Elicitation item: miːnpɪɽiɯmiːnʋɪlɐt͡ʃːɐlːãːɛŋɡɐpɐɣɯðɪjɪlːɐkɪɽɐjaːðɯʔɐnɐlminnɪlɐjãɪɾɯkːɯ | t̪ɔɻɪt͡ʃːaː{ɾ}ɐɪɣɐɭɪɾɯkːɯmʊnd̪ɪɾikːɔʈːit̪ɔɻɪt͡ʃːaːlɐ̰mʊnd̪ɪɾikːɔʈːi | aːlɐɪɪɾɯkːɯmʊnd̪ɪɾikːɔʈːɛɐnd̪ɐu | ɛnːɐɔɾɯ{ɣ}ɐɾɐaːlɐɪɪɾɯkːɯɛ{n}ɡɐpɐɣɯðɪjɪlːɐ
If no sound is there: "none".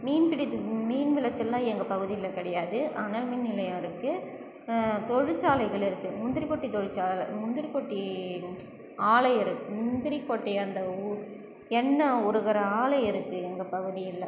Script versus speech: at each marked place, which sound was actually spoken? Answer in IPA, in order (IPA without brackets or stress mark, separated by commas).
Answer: l, ɣ, ŋ